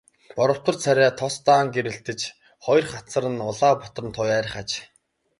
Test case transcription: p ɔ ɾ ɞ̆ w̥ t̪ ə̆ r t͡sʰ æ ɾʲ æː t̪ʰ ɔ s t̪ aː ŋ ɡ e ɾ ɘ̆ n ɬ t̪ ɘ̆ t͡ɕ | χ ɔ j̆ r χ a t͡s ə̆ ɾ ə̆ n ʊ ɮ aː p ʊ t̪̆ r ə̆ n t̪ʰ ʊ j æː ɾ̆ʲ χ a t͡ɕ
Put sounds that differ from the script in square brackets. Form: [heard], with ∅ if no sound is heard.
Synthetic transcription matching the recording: p ɔ ɾ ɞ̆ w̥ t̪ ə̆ r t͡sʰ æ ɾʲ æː t̪ʰ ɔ s t̪ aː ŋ ɡ e ɾ ɘ̆ [∅] ɬ t̪ ɘ̆ t͡ɕ | χ ɔ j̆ r χ a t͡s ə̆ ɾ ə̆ n ʊ ɮ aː p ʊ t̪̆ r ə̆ n t̪ʰ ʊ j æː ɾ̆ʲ χ a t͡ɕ